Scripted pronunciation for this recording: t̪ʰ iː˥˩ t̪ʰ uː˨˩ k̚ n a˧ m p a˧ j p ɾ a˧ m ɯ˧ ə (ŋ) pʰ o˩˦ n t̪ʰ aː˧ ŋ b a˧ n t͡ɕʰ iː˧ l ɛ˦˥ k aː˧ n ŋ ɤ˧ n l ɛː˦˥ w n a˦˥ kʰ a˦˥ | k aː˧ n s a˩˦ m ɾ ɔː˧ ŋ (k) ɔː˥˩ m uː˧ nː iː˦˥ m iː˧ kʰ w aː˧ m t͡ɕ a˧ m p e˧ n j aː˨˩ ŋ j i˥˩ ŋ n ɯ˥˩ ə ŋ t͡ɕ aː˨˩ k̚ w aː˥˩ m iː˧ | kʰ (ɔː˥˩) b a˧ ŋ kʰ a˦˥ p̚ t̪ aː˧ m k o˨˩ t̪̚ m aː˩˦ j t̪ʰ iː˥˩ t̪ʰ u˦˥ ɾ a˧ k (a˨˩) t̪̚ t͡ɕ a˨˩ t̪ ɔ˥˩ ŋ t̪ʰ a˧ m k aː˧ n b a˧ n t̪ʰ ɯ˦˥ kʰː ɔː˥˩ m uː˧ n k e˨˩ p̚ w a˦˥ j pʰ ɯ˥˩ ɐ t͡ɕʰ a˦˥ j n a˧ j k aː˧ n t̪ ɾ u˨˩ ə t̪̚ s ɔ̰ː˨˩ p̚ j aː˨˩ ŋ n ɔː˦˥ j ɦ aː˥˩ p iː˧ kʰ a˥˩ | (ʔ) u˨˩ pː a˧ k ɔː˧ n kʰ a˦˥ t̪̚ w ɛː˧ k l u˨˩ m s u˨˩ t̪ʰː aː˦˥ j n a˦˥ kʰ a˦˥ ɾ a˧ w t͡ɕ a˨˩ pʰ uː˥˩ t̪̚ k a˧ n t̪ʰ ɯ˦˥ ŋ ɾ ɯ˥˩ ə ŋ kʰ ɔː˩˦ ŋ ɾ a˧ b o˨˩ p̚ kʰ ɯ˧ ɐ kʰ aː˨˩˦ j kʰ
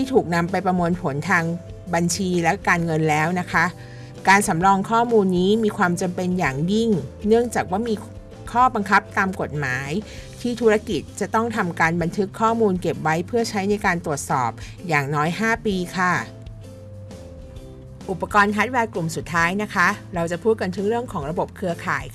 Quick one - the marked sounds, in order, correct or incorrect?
incorrect, incorrect, correct, incorrect, correct

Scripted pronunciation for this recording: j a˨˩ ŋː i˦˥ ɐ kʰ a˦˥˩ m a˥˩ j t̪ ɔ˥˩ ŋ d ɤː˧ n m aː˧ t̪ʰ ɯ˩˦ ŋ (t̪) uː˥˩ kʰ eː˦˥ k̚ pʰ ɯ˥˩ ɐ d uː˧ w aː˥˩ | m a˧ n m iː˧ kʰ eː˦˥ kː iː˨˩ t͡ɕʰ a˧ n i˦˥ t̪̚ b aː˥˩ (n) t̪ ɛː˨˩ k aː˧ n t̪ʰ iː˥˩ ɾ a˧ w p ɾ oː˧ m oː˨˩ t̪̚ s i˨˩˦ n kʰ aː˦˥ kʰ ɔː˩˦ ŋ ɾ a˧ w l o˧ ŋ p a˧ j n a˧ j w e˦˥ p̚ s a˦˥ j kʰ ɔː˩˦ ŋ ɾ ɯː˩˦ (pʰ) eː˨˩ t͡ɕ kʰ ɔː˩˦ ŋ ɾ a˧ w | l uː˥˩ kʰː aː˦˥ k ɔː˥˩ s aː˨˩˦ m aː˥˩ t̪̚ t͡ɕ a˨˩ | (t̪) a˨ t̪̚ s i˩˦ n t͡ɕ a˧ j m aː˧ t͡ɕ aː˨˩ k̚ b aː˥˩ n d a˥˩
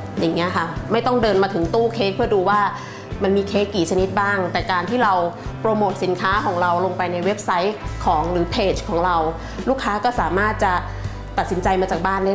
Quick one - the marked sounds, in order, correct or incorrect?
correct, incorrect, correct, correct

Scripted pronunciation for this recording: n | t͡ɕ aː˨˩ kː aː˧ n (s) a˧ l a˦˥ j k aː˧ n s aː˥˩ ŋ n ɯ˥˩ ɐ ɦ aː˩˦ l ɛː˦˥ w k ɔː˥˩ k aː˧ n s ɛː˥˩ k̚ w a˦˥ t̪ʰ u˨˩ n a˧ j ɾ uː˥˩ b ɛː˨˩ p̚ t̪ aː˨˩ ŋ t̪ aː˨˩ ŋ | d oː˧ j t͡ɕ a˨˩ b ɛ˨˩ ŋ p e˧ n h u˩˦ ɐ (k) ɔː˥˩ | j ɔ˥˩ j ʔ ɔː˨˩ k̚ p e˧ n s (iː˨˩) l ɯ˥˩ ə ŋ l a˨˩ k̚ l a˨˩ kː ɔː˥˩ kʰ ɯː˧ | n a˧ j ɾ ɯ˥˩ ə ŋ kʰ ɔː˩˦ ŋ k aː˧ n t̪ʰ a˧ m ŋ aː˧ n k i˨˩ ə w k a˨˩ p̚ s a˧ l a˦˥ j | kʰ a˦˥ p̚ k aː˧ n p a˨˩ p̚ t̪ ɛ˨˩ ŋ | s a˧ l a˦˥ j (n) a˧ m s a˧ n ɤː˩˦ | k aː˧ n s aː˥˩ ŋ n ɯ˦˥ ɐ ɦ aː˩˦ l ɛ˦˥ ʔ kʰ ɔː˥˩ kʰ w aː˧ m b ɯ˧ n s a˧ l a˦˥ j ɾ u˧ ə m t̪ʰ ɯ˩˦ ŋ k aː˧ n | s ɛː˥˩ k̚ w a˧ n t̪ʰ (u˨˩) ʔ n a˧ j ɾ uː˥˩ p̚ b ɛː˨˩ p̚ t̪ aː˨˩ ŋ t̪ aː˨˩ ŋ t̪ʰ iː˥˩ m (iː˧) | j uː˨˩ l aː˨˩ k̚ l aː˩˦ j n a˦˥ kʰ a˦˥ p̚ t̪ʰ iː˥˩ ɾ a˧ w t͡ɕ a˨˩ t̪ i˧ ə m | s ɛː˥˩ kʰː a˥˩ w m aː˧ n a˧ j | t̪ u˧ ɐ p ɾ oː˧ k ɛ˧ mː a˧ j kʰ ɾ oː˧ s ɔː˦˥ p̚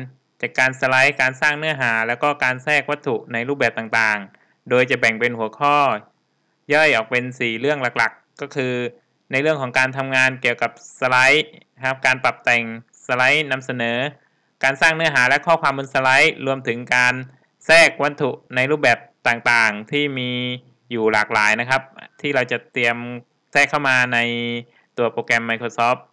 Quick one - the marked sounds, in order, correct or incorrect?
correct, incorrect, correct, correct, correct, correct

